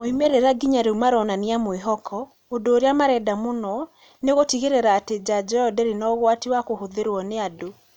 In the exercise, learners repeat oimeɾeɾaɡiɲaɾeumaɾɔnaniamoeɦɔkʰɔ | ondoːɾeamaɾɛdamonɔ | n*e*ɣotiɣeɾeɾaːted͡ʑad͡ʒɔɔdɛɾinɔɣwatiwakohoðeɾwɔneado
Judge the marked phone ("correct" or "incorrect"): correct